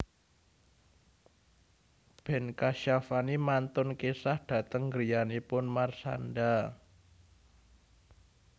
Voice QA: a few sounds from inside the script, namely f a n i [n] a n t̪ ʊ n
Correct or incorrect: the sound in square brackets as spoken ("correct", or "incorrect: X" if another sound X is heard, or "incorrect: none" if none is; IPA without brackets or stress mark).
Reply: incorrect: m